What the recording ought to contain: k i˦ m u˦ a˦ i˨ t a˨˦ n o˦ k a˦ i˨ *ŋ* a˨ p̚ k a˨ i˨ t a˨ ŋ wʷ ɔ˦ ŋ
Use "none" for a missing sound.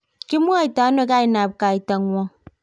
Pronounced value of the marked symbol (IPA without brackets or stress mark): n